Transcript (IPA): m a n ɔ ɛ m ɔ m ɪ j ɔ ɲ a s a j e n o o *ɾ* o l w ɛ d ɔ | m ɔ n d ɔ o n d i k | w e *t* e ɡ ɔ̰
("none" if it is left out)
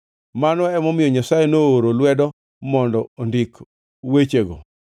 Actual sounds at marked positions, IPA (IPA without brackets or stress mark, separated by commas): ɾ, t͡ʃ